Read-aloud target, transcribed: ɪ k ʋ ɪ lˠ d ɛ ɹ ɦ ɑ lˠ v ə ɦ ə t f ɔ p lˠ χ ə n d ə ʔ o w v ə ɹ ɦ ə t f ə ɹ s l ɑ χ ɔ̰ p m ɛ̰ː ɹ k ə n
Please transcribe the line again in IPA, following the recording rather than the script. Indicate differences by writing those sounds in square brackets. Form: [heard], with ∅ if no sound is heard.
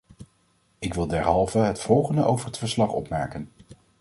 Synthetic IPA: ɪ k ʋ ɪ lˠ d ɛ ɹ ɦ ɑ lˠ v ə ɦ ə t f ɔ [∅] lˠ χ ə n d ə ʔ o w v ə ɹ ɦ ə t f ə ɹ s l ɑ χ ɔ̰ p m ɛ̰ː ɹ k ə n